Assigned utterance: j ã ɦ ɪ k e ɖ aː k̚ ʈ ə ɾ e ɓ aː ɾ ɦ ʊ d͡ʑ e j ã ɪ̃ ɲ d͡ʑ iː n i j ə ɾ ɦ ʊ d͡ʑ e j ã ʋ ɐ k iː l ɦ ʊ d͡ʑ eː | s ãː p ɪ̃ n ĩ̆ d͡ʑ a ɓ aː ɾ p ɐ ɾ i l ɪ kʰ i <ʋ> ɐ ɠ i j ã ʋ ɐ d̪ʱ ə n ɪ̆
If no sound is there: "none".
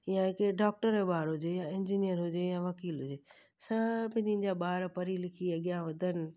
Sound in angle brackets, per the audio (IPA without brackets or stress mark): none